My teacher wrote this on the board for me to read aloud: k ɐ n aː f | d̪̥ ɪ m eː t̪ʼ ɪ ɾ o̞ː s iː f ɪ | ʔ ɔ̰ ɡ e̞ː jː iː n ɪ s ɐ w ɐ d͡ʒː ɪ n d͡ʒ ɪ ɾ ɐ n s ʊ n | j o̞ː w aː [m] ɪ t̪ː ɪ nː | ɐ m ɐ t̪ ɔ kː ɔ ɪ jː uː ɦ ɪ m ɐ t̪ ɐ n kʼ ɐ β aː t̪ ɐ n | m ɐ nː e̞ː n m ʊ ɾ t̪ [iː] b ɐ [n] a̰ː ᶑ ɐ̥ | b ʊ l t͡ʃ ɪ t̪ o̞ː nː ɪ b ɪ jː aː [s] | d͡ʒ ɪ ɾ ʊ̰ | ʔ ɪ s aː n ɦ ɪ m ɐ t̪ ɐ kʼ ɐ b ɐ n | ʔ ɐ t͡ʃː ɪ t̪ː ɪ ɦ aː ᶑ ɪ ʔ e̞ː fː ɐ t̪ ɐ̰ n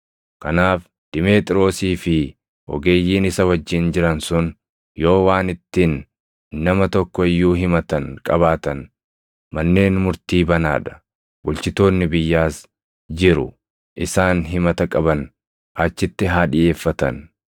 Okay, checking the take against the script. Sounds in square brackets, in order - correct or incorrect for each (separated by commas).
incorrect, correct, correct, correct